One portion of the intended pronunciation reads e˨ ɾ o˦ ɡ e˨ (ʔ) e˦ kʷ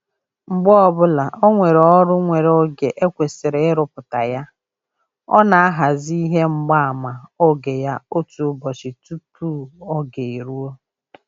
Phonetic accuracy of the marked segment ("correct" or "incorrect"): correct